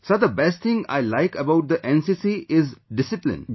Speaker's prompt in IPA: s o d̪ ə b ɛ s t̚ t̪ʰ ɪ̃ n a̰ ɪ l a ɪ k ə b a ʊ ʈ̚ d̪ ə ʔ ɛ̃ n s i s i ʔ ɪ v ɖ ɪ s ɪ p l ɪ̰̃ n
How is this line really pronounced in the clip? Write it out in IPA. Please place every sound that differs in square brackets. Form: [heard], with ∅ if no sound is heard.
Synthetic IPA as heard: s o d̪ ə b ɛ s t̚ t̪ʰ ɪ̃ [ŋ] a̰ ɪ l a ɪ k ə b a ʊ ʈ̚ d̪ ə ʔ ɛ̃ n s i s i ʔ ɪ [z] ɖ ɪ s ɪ p l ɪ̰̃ n